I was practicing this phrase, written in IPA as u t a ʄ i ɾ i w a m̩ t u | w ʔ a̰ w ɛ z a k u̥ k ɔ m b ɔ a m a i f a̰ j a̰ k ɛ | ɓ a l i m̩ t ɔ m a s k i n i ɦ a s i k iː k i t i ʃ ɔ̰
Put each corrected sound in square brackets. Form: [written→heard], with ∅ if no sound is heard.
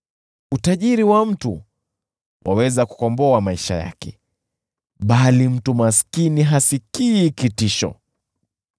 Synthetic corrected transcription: u t a ʄ i ɾ i w a m̩ t u | w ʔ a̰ w ɛ z a k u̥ k ɔ m b ɔ a m a i [f→ʃ] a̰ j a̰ k ɛ | ɓ a l i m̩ t [ɔ→u] m a s k i n i ɦ a s i k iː k i t i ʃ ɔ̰